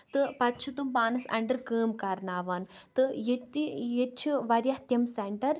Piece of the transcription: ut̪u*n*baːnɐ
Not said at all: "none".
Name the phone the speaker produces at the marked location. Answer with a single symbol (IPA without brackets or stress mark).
m